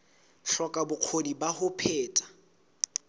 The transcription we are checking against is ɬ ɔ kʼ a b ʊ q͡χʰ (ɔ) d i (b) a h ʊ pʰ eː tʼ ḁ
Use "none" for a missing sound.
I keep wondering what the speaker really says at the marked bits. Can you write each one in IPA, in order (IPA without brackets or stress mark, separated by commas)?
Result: o, b